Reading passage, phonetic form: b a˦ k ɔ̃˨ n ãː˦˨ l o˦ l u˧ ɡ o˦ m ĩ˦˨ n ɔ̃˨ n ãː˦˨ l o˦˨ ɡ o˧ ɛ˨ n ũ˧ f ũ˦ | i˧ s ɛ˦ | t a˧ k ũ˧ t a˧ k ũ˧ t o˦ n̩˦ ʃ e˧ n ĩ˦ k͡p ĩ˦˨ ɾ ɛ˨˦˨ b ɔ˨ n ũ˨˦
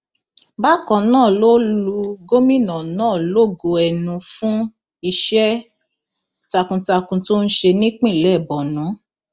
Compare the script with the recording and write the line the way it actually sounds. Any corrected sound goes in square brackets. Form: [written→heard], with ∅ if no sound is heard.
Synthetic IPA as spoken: b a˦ k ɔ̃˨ n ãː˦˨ l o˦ l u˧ ɡ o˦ m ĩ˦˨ n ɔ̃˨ n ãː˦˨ l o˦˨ ɡ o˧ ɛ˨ n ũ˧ f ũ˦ | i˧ [s→ʃ] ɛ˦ | t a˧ k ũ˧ t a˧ k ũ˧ t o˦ n̩˦ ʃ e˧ n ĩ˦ k͡p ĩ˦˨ [ɾ→l] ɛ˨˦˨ b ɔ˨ n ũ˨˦